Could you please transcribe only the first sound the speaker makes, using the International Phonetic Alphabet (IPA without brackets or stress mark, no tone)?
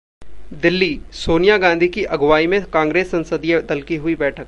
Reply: d̪